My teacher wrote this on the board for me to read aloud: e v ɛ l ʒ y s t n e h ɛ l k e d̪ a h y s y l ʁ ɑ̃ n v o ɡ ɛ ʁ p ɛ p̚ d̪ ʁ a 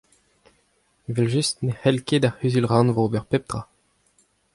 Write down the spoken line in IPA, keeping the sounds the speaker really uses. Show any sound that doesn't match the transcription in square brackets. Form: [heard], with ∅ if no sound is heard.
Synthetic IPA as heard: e v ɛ l ʒ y s t n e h ɛ l k e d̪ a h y [z] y l ʁ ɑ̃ n v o [b] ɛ ʁ p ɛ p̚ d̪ ʁ a

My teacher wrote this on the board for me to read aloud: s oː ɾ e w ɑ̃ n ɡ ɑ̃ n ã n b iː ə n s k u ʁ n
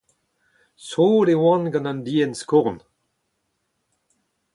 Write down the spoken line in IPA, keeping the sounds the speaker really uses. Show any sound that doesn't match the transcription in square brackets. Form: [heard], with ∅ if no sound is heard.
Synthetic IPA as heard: s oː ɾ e w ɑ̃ n ɡ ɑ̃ n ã n [d] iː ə n s k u ʁ n

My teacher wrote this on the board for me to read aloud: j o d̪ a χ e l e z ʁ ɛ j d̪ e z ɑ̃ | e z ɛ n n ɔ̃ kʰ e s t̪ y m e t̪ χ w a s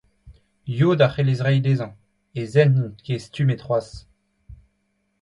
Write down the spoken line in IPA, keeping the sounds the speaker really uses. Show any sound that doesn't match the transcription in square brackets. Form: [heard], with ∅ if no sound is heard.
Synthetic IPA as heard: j o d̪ a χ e l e z ʁ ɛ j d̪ e z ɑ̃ | e z ɛ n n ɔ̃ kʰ e s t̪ y m e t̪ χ w a s

